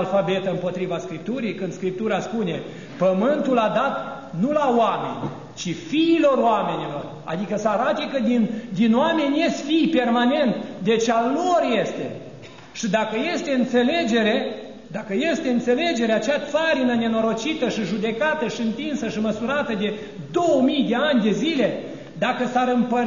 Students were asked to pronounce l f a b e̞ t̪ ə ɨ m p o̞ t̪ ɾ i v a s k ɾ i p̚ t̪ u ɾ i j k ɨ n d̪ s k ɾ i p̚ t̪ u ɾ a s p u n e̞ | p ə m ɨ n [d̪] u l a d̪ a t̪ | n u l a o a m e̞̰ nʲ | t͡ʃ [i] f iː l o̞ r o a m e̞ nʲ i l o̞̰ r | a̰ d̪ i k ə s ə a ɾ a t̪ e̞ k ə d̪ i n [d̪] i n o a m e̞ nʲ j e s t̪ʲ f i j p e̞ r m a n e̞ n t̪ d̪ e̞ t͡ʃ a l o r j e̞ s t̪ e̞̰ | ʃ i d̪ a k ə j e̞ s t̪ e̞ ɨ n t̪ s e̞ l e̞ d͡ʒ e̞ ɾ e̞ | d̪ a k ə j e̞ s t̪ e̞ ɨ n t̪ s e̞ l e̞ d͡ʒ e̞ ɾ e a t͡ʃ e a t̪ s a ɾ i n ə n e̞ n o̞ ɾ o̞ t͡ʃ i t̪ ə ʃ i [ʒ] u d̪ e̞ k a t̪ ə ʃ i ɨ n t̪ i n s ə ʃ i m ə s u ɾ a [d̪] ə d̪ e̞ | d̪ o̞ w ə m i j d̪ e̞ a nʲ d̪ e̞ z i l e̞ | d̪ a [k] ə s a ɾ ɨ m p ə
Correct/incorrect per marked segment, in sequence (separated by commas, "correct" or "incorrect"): incorrect, correct, correct, correct, incorrect, correct